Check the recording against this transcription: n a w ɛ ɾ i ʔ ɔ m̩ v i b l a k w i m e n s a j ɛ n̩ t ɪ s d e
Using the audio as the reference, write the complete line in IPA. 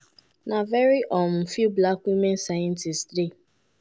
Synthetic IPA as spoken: n a v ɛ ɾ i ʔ ɔ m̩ f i b l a k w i m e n s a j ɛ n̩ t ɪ s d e